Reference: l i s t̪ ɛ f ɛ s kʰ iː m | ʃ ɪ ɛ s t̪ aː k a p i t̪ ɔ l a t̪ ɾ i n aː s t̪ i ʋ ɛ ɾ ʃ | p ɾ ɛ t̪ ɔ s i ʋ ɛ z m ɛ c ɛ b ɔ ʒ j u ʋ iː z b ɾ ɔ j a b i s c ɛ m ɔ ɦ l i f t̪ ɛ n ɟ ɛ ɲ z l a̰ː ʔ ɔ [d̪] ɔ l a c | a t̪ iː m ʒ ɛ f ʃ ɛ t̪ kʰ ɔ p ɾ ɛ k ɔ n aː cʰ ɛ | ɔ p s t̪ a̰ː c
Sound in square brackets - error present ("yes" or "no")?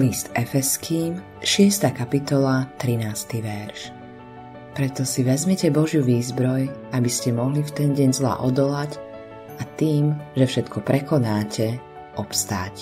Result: no